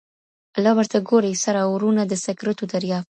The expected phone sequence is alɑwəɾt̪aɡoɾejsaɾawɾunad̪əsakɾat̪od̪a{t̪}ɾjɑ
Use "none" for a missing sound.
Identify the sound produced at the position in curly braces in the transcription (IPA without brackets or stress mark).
none